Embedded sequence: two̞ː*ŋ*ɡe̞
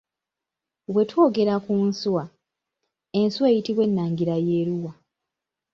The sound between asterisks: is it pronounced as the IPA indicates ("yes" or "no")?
no